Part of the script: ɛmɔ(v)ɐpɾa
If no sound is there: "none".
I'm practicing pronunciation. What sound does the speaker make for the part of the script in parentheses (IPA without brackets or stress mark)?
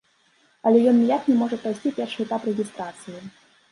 ʐ